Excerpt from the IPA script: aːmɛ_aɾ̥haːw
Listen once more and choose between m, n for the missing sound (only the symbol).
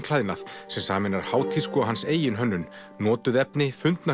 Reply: n